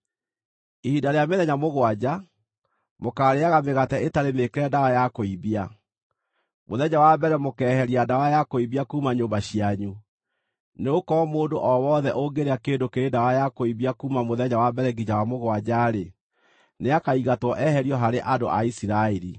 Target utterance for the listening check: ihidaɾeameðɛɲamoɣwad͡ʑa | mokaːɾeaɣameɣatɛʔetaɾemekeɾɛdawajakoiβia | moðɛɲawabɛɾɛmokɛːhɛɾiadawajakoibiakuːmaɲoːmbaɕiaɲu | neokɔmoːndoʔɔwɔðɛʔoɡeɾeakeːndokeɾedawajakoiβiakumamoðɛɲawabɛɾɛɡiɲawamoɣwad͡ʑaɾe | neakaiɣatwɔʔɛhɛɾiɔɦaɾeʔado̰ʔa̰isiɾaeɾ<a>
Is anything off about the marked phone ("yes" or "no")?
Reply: yes